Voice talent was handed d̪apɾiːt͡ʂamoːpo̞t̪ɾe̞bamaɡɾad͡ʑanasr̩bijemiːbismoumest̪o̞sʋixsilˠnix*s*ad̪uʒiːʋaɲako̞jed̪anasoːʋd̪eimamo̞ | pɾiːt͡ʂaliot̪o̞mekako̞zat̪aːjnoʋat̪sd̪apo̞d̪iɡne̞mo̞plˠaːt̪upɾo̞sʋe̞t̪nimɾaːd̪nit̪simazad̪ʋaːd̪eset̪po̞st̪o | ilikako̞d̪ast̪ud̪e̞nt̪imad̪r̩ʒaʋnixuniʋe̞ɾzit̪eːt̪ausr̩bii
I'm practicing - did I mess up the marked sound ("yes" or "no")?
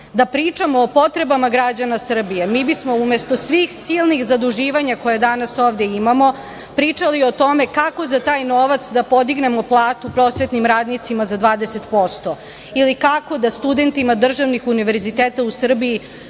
yes